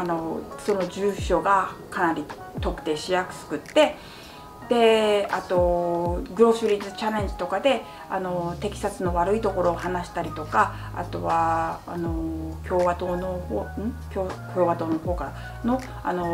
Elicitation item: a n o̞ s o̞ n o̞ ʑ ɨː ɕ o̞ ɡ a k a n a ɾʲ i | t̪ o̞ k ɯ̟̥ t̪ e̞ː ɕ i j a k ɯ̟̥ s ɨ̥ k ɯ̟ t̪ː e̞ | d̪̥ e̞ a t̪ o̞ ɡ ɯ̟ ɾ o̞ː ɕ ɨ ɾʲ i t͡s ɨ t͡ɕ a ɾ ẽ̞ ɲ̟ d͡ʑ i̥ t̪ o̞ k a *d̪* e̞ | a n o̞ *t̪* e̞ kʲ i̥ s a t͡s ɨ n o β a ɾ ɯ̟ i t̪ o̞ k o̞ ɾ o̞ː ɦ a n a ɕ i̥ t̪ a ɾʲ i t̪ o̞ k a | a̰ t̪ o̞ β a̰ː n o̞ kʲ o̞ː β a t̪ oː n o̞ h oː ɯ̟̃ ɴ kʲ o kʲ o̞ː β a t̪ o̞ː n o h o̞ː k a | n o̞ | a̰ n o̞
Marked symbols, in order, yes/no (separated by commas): yes, yes